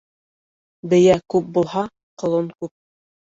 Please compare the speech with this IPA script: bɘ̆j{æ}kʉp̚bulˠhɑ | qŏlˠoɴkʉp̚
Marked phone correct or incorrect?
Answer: correct